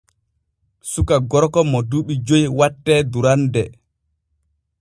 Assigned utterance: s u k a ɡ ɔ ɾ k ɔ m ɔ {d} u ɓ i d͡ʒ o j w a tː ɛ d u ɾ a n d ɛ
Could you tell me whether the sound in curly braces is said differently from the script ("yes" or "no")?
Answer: no